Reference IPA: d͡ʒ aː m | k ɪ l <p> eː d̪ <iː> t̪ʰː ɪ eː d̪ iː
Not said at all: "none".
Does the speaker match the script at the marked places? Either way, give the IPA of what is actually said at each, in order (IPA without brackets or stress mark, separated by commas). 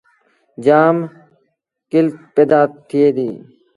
p, aː